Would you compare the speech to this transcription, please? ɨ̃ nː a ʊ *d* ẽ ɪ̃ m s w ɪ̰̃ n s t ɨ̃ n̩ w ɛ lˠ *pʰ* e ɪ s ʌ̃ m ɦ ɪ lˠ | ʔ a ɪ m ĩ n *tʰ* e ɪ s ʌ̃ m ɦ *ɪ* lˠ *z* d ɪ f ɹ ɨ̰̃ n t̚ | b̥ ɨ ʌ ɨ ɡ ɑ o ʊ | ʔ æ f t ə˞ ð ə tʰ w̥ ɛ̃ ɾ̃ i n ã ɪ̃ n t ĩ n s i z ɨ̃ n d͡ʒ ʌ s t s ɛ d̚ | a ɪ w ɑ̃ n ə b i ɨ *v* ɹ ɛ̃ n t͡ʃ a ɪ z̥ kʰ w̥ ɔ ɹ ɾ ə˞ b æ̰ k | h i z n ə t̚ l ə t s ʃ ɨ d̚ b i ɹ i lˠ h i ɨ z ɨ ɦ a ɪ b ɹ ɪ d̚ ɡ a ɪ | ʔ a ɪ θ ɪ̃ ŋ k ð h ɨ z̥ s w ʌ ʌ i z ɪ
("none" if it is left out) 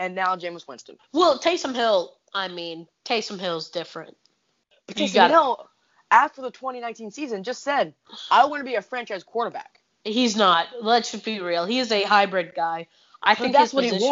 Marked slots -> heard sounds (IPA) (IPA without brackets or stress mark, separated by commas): d͡ʒ, tʰ, tʰ, ɪ, z, f